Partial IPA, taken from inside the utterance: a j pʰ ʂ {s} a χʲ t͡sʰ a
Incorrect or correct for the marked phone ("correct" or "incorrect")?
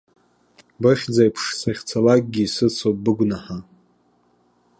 correct